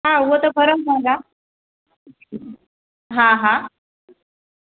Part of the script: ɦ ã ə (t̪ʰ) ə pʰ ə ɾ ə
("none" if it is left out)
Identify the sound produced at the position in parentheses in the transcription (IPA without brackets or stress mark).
t̪